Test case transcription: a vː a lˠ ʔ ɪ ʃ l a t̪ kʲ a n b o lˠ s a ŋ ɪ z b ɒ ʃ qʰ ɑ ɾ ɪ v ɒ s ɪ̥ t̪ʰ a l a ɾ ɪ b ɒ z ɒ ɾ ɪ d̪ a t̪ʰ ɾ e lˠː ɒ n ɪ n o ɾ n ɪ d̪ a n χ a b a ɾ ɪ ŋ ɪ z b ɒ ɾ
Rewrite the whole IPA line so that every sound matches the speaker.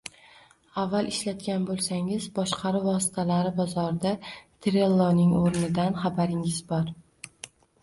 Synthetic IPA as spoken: a vː a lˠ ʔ ɪ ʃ l a t̪ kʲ a n b o lˠ s a ŋ ɪ z b ɒ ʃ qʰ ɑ ɾ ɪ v ɒ s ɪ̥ t̪ʰ a l a ɾ ɪ b ɒ z ɒ ɾ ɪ d̪ a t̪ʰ ɾ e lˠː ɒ n ɪ ŋ o ɾ n ɪ d̪ a n χ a b a ɾ ɪ ŋ ɪ z b ɒ ɾ